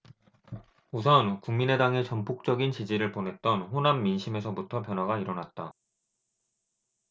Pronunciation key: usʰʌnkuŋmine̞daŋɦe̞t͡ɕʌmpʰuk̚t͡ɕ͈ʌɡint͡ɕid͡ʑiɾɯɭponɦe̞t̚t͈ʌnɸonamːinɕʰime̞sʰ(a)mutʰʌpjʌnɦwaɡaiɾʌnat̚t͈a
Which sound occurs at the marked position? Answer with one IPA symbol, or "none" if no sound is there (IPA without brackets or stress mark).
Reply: ʌ